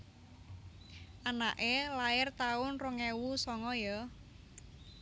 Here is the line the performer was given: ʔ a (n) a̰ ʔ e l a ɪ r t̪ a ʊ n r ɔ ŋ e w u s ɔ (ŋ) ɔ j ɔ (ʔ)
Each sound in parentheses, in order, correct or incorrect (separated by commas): correct, correct, incorrect